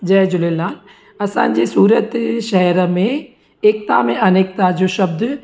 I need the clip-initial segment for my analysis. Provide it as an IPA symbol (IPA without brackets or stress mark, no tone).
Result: d͡ʒ